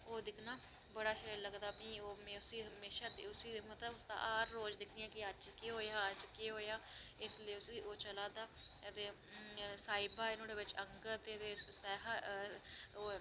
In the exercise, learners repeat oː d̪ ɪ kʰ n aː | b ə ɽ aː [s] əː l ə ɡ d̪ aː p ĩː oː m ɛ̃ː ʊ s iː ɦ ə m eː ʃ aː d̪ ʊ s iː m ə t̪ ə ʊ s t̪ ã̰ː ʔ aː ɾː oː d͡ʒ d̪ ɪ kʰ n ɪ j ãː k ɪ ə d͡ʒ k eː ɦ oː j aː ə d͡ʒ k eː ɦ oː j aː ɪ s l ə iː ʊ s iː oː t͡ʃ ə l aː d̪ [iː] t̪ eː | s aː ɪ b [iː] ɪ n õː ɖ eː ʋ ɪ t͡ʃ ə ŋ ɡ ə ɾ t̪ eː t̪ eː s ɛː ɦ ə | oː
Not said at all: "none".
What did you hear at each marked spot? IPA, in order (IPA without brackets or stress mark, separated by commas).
ʃ, aː, aː